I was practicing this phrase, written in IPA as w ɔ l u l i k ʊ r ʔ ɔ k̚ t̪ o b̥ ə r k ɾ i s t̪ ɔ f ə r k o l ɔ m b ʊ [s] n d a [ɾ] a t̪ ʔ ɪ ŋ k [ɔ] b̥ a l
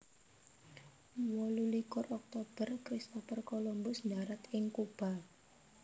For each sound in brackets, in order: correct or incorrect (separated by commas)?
correct, correct, incorrect